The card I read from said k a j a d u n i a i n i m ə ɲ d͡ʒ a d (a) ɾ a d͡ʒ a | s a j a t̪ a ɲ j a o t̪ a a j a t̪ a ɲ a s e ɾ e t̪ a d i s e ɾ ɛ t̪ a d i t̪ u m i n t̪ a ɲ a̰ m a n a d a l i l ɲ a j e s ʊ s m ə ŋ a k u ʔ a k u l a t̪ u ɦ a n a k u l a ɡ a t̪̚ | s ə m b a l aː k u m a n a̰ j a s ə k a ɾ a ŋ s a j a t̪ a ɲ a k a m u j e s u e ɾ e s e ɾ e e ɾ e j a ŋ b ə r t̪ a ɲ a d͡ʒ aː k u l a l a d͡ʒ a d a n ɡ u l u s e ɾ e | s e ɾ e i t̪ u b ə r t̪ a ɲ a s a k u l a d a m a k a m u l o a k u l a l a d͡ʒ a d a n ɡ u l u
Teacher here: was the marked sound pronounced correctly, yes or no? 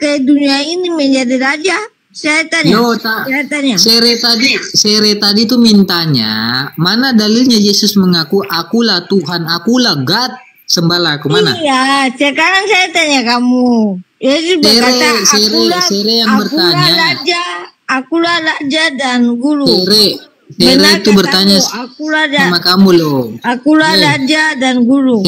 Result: no